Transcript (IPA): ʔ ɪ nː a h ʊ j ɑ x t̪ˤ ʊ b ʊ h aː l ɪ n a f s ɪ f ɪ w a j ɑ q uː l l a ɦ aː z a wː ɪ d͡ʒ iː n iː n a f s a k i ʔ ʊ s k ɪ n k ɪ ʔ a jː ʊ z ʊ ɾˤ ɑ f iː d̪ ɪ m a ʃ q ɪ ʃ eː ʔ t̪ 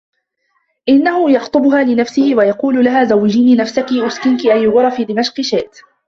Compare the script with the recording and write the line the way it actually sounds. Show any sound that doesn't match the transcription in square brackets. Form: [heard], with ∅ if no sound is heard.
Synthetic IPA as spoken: ʔ ɪ nː a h ʊ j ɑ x t̪ˤ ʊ b ʊ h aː l ɪ n a f s ɪ [h] ɪ w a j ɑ q uː l l a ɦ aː z a wː ɪ d͡ʒ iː n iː n a f s a k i ʔ ʊ s k ɪ n k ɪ ʔ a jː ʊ [ɣ] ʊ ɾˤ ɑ f iː d̪ ɪ m a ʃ q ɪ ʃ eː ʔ t̪